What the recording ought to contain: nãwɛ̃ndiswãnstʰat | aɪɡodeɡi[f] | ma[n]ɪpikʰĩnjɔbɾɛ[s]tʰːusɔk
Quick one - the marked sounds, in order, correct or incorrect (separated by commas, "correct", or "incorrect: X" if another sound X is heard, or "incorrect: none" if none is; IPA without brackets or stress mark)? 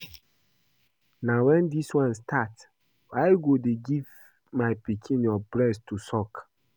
incorrect: v, incorrect: none, correct